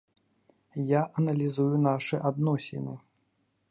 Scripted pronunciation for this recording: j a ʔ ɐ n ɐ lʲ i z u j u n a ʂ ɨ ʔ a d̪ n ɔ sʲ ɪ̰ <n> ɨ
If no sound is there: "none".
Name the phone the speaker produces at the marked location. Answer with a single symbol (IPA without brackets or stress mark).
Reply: n